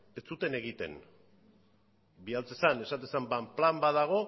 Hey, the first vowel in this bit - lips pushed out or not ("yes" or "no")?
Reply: no